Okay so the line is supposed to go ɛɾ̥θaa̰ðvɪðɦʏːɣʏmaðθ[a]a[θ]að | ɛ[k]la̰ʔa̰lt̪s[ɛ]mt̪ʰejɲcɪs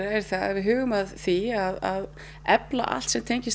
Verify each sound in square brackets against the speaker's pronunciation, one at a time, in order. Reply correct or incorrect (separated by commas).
incorrect, incorrect, incorrect, correct